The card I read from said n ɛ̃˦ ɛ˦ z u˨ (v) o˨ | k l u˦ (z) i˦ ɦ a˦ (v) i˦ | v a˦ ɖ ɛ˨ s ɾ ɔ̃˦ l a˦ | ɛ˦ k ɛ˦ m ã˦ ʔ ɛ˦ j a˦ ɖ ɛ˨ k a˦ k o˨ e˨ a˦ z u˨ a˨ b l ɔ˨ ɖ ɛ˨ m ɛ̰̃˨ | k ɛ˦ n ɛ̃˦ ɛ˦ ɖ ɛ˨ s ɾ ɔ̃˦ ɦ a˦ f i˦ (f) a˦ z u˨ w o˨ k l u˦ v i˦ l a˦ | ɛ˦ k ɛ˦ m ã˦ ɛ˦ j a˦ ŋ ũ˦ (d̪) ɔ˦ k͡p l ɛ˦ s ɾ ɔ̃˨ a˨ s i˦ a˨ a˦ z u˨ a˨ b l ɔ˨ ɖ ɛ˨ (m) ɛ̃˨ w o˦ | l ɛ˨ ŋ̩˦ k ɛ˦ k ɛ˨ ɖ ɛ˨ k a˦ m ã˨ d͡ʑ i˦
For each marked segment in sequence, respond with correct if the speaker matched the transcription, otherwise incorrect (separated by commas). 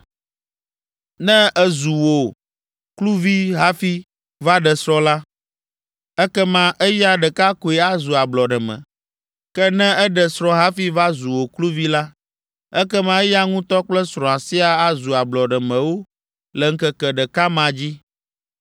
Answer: incorrect, incorrect, incorrect, incorrect, incorrect, correct